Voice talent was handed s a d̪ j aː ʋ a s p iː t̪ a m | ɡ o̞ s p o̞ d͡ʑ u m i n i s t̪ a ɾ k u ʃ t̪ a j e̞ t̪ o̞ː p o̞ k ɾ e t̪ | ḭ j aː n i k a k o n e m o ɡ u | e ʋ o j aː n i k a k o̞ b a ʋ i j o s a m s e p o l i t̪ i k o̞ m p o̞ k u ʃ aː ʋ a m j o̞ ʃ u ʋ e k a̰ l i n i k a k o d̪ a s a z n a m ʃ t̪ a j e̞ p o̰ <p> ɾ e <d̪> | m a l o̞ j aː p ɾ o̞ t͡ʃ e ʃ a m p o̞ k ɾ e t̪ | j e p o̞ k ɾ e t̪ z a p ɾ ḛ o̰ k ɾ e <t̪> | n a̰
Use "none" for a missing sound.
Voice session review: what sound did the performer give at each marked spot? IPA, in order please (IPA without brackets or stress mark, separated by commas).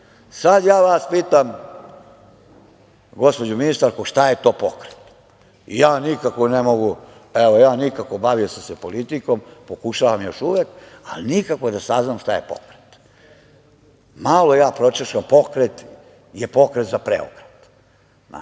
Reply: k, t̪, t̪